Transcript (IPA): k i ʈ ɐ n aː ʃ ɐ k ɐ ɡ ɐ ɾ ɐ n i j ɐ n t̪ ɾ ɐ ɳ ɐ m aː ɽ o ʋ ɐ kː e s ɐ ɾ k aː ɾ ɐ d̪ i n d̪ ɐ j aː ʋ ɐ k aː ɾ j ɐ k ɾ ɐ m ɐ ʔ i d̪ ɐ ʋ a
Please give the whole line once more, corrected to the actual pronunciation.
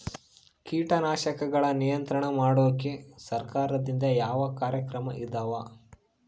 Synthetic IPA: k iː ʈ ɐ n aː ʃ ɐ k ɐ ɡ ɐ ɭ ɐ n i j ɐ n t̪ ɾ ɐ ɳ ɐ m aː ɽ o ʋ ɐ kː e s ɐ ɾ k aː ɾ ɐ d̪ i n d̪ ɐ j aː ʋ ɐ k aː ɾ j ɐ k ɾ ɐ m ɐ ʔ i d̪ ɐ ʋ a